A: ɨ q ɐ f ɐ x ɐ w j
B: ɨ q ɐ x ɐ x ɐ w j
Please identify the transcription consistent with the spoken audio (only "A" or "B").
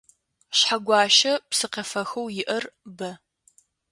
A